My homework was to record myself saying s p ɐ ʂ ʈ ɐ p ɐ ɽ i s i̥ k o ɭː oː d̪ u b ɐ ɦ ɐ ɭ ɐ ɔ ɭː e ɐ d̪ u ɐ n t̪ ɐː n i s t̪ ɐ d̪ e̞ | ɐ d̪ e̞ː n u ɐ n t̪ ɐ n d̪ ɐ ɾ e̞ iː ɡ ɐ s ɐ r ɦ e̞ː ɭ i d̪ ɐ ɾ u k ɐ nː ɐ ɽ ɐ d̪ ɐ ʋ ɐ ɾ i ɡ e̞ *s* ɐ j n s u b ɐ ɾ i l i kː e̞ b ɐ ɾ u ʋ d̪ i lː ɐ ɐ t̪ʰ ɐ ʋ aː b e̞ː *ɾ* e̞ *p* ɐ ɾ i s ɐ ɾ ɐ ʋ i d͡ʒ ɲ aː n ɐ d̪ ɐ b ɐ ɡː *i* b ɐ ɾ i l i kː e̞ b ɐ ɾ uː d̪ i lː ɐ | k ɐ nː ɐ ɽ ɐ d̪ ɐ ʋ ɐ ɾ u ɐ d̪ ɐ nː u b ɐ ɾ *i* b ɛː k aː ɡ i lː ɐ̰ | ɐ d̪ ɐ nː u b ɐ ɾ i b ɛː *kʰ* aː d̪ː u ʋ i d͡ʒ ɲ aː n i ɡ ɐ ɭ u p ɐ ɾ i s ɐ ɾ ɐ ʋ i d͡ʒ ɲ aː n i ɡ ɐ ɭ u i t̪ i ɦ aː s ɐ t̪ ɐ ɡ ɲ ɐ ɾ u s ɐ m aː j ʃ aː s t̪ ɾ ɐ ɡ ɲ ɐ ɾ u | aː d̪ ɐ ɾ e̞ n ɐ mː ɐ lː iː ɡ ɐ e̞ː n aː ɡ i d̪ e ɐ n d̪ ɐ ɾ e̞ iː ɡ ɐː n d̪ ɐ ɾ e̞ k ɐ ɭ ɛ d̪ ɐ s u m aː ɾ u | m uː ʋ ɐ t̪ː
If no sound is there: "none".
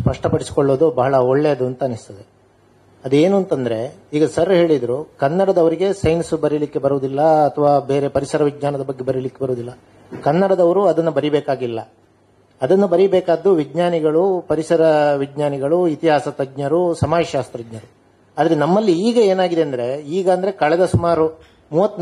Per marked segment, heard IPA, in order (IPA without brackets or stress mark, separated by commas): s, ɾ, p, e, i, k